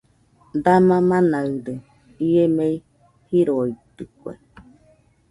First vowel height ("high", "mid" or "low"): low